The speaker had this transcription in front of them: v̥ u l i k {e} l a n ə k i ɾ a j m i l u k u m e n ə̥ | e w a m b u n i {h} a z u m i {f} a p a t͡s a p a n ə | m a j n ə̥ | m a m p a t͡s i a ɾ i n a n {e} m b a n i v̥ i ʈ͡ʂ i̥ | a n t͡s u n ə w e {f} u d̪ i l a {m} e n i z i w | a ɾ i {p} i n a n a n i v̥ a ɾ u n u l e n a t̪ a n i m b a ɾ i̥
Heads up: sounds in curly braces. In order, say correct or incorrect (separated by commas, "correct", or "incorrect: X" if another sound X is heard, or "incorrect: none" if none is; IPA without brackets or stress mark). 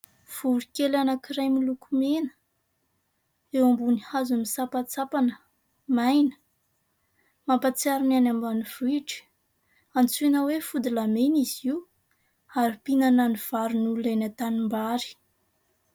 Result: correct, correct, incorrect: s, incorrect: a, correct, correct, correct